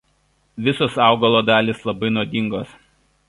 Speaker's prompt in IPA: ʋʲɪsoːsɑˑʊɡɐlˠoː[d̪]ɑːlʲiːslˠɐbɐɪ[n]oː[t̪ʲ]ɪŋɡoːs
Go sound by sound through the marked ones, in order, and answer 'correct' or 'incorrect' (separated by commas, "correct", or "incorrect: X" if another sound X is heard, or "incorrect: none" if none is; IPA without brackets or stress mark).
correct, correct, incorrect: d̪ʲ